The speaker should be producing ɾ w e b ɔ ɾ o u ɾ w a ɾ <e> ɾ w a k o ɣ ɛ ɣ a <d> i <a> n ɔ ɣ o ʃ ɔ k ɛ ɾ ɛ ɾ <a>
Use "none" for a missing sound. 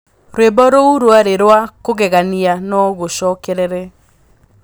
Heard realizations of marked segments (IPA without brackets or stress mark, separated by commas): e, n, a, ɛ